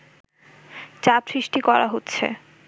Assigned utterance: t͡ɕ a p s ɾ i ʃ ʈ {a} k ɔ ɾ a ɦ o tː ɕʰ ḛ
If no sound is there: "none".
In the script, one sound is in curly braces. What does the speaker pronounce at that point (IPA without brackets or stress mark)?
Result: i